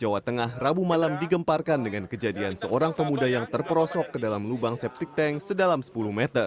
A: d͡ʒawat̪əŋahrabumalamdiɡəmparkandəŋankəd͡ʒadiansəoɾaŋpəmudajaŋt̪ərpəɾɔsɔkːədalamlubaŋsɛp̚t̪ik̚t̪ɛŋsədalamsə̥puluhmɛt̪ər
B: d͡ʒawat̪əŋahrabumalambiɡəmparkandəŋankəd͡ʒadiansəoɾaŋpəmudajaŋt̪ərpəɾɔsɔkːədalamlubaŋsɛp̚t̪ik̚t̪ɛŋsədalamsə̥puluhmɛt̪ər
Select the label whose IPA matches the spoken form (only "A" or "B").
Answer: A